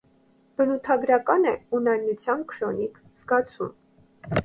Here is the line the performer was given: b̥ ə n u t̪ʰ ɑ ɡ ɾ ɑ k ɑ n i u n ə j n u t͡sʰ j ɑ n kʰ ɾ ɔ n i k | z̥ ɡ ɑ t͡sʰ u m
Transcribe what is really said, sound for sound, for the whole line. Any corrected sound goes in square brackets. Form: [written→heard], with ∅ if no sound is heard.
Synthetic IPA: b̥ ə n u t̪ʰ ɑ ɡ ɾ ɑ k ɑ n [i→ɛ] u n [ə→ɑ] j n u t͡sʰ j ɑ n kʰ ɾ ɔ n i k | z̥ ɡ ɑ t͡sʰ u m

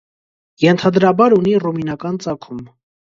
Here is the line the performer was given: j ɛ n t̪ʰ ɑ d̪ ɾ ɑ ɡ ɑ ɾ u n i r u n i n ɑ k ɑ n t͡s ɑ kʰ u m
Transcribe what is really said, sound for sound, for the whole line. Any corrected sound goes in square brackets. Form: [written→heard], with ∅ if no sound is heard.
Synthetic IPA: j ɛ n t̪ʰ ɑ d̪ ɾ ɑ [ɡ→b] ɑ ɾ u n i r u [n→m] i n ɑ k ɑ n t͡s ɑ kʰ u m

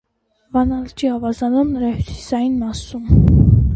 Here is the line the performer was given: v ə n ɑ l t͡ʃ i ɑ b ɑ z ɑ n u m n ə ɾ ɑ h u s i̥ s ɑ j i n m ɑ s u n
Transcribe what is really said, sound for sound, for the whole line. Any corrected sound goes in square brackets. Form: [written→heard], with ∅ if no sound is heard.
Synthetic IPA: v [ə→ɑ] n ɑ l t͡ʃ i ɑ [b→v] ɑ z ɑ n u m n ə ɾ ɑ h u s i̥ s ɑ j i n m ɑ s u [n→m]

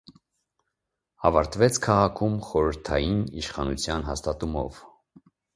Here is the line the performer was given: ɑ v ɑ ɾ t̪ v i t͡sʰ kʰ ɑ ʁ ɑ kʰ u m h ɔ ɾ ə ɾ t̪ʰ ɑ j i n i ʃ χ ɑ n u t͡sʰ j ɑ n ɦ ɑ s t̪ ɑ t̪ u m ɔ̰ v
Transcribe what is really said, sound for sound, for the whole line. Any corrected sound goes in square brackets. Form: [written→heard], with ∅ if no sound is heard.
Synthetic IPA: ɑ v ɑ ɾ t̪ v [i→ɛ] t͡sʰ kʰ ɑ ʁ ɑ kʰ u m [h→χ] ɔ ɾ ə ɾ t̪ʰ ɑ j i n i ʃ χ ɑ n u t͡sʰ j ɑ n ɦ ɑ s t̪ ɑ t̪ u m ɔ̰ v

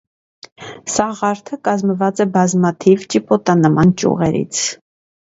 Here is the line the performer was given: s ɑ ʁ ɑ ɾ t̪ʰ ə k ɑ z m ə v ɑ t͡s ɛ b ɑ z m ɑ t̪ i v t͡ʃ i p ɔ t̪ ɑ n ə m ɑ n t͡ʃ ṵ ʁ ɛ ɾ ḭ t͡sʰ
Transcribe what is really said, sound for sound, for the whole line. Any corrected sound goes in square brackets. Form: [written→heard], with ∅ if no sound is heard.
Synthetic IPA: s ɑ ʁ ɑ ɾ t̪ʰ ə k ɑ z m ə v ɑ t͡s ɛ b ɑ z m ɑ [t̪→t̪ʰ] i v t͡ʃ i p ɔ t̪ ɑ n ə m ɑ n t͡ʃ ṵ ʁ ɛ ɾ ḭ t͡sʰ

